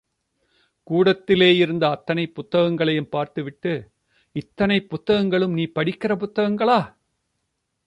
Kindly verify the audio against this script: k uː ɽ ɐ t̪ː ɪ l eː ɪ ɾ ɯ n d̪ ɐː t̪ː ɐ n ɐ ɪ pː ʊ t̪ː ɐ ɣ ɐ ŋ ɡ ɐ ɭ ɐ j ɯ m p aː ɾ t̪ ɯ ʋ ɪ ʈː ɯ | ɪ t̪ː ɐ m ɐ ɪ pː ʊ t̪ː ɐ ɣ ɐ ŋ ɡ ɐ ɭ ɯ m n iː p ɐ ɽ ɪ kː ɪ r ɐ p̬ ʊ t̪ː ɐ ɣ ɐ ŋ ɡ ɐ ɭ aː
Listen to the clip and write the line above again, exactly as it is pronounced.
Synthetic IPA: k uː ɽ ɐ t̪ː ɪ l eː ɪ ɾ ɯ n d̪ ɐː t̪ː ɐ n ɐ ɪ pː ʊ t̪ː ɐ ɣ ɐ ŋ ɡ ɐ ɭ ɐ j ɯ m p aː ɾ t̪ ɯ ʋ ɪ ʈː ɯ | ɪ t̪ː ɐ n ɐ ɪ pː ʊ t̪ː ɐ ɣ ɐ ŋ ɡ ɐ ɭ ɯ m n iː p ɐ ɽ ɪ kː ɪ r ɐ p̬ ʊ t̪ː ɐ ɣ ɐ ŋ ɡ ɐ ɭ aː

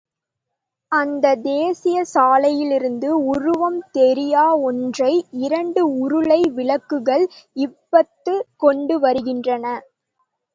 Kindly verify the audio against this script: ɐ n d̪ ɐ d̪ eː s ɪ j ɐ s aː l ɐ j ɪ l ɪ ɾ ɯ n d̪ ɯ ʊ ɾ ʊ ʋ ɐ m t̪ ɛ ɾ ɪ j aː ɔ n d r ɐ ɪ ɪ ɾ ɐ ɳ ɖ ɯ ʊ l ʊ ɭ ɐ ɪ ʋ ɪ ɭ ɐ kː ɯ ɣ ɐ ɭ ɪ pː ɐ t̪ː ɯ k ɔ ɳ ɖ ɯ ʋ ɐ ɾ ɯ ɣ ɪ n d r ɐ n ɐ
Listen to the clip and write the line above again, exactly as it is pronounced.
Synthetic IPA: ɐ n d̪ ɐ d̪ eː s ɪ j ɐ s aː l ɐ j ɪ l ɪ ɾ ɯ n d̪ ɯ ʊ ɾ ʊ ʋ ɐ m t̪ ɛ ɾ ɪ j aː ɔ n d r ɐ ɪ ɪ ɾ ɐ ɳ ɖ ɯ ʊ ɾ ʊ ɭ ɐ ɪ ʋ ɪ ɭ ɐ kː ɯ ɣ ɐ ɭ ɪ pː ɐ t̪ː ɯ k ɔ ɳ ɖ ɯ ʋ ɐ ɾ ɯ ɣ ɪ n d r ɐ n ɐ

